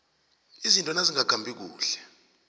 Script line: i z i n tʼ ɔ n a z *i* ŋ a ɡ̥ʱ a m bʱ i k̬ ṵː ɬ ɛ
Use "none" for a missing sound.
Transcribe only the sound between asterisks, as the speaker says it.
i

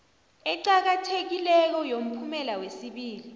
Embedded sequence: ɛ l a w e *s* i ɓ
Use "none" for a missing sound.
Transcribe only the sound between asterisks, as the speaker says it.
s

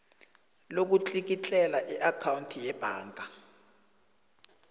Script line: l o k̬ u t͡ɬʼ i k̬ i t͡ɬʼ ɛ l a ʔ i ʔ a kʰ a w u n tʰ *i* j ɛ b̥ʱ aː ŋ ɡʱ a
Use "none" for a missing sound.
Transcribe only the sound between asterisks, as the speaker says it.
i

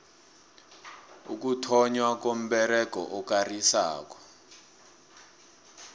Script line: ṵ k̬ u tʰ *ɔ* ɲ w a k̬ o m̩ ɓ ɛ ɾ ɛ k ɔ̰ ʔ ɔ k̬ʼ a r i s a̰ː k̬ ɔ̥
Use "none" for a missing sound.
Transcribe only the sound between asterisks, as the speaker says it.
ɔ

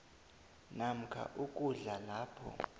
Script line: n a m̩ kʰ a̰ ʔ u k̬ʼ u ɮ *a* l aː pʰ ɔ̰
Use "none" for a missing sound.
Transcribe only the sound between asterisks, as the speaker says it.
a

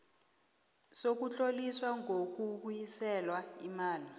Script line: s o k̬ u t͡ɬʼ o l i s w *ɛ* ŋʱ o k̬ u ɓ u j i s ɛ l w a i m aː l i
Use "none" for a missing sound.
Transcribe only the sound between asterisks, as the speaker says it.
a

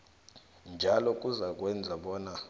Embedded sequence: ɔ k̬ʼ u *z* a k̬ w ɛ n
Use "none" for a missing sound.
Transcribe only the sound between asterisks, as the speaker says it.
z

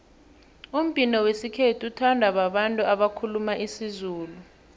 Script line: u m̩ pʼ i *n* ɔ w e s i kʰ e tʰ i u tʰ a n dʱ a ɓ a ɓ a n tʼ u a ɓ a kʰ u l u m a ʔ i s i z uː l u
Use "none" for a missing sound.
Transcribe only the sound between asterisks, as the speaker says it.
n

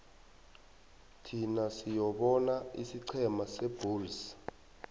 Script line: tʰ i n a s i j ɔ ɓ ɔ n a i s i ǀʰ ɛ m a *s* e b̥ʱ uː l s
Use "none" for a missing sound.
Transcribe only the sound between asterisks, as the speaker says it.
s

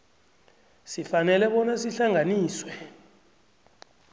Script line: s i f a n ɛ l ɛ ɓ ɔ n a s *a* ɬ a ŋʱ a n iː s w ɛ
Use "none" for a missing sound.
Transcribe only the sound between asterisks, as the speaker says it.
i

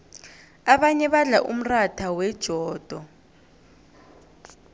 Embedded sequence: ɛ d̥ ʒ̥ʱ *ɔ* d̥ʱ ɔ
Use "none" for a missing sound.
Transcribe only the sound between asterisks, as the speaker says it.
ɔː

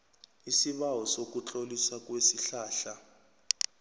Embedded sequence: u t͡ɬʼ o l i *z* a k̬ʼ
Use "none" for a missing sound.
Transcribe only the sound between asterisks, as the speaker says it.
s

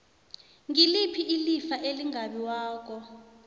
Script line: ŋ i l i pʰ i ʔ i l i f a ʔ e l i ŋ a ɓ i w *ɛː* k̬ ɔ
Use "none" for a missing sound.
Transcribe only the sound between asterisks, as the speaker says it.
aː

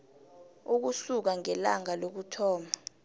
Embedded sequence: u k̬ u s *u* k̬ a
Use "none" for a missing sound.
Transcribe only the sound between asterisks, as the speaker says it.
u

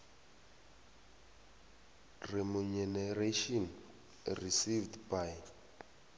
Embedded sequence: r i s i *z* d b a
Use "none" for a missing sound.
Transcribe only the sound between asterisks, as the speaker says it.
v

